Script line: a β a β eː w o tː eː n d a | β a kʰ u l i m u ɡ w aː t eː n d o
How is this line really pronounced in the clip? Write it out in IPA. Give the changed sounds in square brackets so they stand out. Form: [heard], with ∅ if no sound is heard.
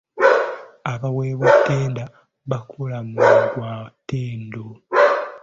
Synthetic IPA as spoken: a β a [w] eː [β] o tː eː n d a | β a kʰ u l [a] m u ɡ w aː t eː n d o